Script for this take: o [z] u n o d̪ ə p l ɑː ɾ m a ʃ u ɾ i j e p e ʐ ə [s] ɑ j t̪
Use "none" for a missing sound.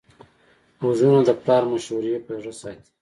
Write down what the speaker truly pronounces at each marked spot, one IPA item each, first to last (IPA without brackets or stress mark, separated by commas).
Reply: z, s